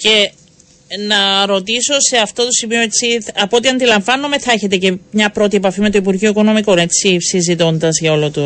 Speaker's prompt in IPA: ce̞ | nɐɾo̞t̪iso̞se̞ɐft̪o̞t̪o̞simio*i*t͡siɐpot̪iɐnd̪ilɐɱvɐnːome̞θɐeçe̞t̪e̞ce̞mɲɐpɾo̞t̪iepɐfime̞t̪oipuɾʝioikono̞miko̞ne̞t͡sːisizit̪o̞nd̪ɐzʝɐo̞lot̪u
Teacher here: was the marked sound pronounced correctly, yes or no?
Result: no